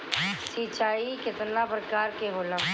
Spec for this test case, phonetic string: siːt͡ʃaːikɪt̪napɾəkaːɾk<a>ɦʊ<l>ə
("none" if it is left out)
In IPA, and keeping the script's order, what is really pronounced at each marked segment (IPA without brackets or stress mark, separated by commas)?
e, l